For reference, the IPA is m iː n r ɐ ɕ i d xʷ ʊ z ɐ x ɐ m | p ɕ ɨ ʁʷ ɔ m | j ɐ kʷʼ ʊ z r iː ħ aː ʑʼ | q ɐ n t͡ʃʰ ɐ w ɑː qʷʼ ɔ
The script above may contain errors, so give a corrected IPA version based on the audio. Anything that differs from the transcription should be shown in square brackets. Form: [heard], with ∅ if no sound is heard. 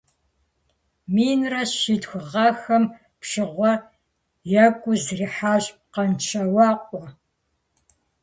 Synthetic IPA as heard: m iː n r ɐ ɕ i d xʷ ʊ [ʁ] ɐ x ɐ m | p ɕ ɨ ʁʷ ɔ [∅] | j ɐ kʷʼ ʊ z r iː ħ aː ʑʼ | q ɐ n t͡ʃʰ ɐ w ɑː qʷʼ ɔ